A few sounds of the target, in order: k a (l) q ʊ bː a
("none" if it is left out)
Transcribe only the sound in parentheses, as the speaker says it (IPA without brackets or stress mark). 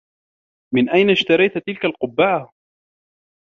l